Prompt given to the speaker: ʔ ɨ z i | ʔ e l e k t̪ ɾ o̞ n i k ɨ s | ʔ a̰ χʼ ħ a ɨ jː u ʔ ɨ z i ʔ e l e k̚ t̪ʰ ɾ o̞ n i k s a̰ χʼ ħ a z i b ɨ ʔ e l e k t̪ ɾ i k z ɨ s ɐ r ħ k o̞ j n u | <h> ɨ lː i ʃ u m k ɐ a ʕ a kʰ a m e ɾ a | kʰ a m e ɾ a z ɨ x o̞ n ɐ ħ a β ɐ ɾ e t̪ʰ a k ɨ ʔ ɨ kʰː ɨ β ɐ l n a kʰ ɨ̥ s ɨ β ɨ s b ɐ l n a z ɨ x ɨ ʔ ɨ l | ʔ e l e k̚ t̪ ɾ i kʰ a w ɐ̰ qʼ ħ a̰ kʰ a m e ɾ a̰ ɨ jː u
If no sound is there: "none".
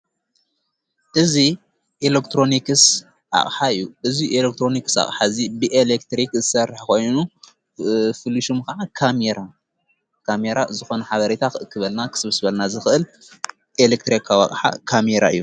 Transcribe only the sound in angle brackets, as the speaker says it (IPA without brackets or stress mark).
f